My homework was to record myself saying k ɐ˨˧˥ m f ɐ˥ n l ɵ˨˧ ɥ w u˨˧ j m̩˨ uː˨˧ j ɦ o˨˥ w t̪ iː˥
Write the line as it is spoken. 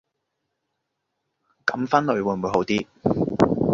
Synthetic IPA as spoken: k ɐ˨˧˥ m f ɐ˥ n l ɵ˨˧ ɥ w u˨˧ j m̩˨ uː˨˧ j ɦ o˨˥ w t̪ iː˥